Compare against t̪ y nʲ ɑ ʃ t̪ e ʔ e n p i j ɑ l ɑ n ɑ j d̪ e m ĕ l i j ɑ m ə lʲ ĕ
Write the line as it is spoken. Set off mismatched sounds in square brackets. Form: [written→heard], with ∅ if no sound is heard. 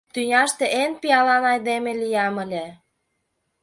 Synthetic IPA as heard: t̪ y nʲ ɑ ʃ t̪ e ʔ e n p i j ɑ l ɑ n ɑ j d̪ e m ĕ l i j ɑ m ə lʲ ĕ